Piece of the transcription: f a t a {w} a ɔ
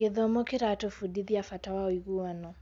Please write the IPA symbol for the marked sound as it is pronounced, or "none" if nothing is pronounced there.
w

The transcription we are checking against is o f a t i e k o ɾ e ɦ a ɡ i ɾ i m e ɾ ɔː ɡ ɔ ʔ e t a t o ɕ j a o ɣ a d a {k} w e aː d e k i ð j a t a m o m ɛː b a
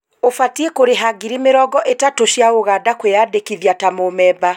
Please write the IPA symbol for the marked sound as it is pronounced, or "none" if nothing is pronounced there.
k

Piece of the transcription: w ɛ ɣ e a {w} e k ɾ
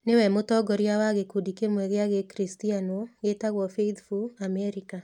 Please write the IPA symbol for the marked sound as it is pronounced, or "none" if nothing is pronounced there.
ɣ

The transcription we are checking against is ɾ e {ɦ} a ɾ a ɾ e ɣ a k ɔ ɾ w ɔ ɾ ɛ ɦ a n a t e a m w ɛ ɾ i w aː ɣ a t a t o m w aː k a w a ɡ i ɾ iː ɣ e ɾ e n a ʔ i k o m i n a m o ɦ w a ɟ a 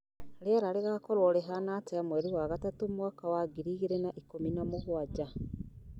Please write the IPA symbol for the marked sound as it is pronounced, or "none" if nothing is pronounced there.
none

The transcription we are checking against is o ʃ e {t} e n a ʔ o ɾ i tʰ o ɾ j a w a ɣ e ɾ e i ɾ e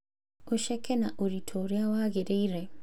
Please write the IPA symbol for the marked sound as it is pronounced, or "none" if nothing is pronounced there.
k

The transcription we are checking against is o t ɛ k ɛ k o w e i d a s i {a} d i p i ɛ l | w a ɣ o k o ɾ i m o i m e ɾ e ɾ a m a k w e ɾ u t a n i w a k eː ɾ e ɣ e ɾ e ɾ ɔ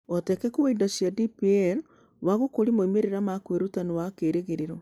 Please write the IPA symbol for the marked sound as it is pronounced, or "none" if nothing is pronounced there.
a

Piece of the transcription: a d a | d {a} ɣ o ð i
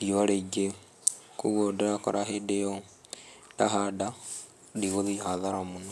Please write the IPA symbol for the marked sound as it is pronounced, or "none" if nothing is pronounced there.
i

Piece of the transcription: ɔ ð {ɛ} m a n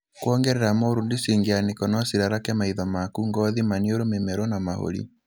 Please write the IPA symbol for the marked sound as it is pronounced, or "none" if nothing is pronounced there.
i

